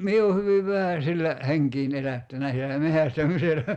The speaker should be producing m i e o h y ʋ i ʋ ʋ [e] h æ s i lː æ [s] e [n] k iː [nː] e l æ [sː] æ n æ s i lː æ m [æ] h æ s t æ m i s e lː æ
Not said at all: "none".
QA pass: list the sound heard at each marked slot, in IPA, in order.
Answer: æ, h, ŋ, n, tː, e

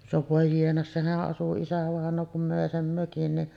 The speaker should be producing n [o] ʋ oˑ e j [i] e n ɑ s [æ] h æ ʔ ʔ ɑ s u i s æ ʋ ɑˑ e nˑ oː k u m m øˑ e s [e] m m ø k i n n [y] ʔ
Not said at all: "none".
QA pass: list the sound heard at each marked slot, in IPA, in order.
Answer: o, i, e, e, i

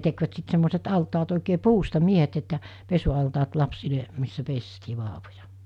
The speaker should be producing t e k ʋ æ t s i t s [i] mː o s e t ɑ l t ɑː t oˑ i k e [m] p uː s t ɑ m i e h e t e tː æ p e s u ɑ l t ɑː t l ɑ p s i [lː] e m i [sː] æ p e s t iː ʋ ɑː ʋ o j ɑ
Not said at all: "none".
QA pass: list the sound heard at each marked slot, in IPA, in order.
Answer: e, none, l, sː

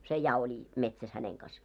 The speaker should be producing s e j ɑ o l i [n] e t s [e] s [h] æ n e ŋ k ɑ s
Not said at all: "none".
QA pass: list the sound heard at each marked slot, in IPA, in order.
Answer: m, æ, h

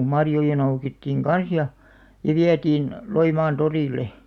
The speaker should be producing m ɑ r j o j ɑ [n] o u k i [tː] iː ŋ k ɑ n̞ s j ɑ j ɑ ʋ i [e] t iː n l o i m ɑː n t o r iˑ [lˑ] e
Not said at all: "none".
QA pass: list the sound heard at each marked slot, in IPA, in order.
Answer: n, tː, æ, lˑ

